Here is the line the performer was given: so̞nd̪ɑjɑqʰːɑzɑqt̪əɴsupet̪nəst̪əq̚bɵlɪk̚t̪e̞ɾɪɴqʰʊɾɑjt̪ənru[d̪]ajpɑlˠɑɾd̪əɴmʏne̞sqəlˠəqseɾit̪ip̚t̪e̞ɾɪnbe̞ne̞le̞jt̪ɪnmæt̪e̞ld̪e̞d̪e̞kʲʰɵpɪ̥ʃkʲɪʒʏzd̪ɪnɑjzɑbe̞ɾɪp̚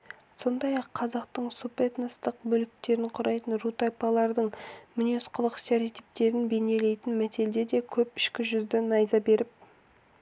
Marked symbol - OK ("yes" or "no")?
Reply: no